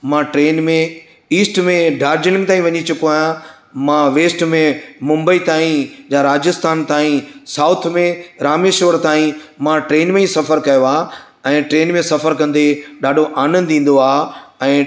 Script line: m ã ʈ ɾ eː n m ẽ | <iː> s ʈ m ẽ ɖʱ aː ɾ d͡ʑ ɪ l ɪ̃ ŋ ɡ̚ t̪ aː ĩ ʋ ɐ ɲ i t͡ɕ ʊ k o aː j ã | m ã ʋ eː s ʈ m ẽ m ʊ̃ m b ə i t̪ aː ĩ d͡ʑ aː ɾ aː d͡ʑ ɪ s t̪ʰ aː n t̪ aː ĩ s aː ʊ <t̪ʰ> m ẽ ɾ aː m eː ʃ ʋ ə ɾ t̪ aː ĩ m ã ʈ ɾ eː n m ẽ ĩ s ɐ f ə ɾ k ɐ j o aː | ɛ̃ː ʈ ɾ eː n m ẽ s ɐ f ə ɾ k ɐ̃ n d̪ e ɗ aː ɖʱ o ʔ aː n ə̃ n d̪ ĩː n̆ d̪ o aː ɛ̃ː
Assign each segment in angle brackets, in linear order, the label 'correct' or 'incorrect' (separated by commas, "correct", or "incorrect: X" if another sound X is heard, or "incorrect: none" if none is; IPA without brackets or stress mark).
correct, correct